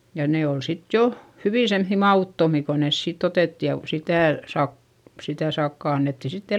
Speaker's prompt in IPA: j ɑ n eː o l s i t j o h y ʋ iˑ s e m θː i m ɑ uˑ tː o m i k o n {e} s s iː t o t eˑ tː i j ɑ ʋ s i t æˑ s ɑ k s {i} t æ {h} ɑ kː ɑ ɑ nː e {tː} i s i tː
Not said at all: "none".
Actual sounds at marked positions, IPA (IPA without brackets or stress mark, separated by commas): e, i, s, tː